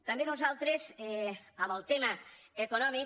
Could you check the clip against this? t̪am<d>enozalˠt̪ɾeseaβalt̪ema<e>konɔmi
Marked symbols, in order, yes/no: no, yes

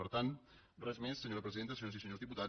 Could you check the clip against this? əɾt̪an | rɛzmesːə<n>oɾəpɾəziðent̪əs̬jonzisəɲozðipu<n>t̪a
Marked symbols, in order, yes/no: no, no

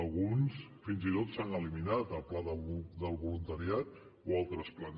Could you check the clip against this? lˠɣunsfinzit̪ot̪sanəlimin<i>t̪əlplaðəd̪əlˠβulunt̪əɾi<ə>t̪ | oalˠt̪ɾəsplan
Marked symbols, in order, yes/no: no, no

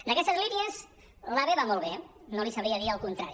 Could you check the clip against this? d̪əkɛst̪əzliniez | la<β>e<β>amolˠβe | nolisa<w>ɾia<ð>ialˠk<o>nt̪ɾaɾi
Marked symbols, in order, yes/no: yes, yes, no, yes, no

